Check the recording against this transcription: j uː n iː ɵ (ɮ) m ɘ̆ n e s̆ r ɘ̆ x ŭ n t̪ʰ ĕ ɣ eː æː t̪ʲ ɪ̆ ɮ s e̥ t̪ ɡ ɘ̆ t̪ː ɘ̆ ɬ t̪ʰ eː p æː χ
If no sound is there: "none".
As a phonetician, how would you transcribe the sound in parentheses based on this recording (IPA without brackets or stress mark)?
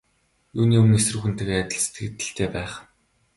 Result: none